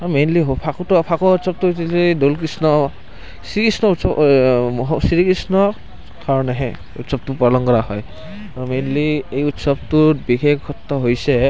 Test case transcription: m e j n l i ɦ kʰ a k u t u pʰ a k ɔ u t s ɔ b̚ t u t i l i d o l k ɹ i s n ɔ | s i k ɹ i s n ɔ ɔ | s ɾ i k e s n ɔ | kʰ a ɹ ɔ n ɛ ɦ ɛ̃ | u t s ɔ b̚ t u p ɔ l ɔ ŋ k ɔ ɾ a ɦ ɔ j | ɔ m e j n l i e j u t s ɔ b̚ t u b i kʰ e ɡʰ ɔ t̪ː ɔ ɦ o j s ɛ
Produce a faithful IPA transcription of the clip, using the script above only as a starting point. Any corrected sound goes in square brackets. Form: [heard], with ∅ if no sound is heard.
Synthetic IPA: m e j n l i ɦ [pʰ] a k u t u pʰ a k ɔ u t s ɔ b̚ t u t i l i d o l k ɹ i s n ɔ | s i k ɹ i s n ɔ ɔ | s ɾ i k [i] s n ɔ | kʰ a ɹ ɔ n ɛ ɦ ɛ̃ | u t s ɔ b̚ t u p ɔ l ɔ ŋ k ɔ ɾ a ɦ ɔ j | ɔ m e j n l i e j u t s ɔ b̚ t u b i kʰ e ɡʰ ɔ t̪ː ɔ ɦ o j s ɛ